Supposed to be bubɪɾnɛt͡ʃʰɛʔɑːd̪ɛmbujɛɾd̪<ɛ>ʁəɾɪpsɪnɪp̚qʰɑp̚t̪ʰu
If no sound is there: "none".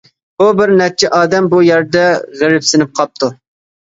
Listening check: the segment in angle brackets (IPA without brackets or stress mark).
ɛ